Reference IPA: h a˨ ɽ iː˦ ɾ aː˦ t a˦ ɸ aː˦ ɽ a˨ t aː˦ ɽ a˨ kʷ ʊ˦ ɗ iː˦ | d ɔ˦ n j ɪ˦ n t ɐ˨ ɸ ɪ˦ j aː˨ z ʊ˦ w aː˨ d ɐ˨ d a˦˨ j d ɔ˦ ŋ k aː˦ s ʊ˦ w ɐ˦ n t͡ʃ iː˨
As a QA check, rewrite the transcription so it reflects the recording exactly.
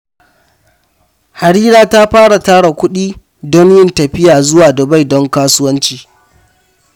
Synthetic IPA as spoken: h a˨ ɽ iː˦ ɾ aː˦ t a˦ ɸ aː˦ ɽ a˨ t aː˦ ɽ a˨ kʷ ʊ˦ ɗ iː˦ | d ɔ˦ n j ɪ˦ n t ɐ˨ ɸ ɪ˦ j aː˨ z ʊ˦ w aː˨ d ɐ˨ b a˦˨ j d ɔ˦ ŋ k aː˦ s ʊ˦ w ɐ˦ n t͡ʃ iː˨